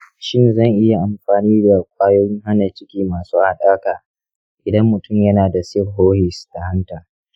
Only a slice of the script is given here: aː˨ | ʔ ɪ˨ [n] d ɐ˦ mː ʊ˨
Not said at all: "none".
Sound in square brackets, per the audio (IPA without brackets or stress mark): none